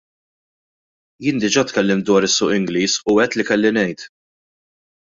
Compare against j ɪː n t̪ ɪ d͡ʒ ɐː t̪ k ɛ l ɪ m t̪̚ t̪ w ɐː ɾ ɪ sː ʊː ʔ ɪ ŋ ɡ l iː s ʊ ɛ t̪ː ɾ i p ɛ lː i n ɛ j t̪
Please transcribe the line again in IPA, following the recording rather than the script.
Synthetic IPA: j ɪː n d̪ ɪ d͡ʒ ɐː t̪ k ɛ lː ɪ m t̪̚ d̪ w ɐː ɾ ɪ sː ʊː ʔ ɪ ŋ ɡ l iː s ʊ ɛ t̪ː l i k ɛ lː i n ɛ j t̪